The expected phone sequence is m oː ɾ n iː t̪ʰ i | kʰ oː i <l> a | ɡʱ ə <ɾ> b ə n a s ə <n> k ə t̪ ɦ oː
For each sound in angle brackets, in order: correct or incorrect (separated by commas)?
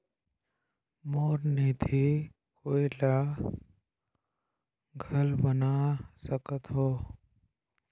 correct, incorrect, incorrect